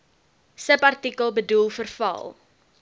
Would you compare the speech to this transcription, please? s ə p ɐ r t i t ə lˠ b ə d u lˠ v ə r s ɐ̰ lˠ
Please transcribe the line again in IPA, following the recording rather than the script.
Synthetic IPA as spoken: s ə p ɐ r t i k ə lˠ b ə d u lˠ f ə r f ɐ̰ lˠ